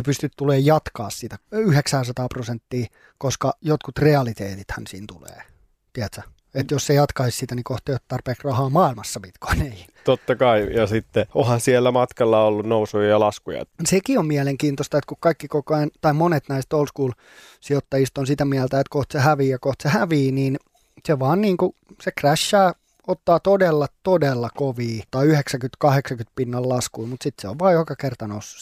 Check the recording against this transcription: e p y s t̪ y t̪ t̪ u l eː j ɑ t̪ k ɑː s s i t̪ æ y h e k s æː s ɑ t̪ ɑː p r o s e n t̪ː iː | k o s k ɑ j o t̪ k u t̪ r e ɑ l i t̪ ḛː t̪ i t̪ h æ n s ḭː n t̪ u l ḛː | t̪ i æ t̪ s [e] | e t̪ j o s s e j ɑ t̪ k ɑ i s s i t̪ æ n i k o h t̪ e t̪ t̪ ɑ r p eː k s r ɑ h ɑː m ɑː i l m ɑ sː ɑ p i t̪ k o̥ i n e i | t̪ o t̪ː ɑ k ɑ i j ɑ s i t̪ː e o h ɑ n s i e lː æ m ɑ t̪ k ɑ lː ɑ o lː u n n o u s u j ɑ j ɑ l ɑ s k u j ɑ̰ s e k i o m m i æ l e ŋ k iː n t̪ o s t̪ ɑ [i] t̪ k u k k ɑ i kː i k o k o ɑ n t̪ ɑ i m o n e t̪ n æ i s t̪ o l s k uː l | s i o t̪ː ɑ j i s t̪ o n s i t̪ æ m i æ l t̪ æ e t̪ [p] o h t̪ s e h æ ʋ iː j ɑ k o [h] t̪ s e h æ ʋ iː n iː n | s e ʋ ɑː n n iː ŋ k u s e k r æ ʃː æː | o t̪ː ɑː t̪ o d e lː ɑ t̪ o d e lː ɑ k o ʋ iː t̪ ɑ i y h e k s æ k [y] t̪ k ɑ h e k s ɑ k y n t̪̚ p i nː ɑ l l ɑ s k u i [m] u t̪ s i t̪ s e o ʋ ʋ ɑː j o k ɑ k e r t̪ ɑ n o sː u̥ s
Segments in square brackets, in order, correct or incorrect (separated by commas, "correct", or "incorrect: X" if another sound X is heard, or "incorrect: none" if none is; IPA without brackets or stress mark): incorrect: æ, incorrect: e, incorrect: k, correct, correct, correct